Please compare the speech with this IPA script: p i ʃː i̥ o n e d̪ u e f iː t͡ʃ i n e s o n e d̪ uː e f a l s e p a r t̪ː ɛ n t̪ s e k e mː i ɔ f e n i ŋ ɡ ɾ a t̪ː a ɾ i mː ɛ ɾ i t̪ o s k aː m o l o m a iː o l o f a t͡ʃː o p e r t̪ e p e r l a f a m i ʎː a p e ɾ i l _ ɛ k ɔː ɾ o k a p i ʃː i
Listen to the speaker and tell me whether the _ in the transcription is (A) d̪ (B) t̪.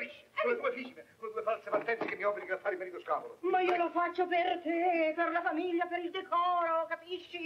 A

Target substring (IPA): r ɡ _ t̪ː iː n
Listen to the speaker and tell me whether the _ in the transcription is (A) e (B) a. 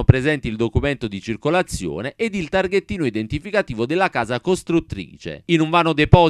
A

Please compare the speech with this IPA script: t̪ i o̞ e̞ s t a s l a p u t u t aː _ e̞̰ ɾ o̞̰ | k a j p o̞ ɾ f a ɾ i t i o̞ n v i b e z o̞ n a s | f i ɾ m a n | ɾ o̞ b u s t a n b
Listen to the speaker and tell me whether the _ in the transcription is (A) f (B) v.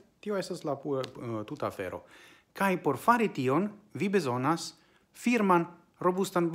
A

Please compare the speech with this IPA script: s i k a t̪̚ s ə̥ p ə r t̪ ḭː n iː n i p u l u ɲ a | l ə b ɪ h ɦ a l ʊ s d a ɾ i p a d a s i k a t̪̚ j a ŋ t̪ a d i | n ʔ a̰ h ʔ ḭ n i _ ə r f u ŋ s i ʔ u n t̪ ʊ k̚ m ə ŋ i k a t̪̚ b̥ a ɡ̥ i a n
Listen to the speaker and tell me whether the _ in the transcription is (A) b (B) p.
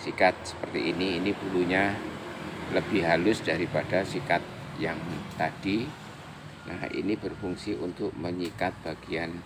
A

